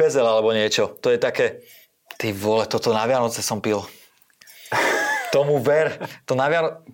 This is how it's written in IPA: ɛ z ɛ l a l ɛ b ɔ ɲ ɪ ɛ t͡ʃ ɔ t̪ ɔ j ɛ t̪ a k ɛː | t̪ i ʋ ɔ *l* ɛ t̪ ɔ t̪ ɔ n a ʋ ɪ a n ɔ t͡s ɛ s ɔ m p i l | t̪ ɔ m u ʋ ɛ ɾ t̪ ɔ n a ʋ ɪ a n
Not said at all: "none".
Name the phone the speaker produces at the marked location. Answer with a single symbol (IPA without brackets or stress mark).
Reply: l